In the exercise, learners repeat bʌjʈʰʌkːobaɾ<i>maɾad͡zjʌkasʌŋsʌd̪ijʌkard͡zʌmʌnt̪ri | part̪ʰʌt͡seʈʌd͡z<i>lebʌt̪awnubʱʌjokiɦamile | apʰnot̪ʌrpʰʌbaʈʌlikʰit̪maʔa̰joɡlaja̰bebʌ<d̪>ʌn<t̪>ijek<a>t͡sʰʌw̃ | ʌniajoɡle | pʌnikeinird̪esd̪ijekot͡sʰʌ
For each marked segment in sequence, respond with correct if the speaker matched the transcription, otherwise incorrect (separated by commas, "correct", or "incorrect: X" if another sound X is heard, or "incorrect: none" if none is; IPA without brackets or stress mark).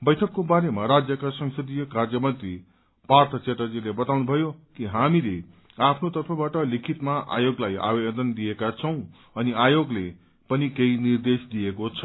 incorrect: e, correct, correct, incorrect: d̪, correct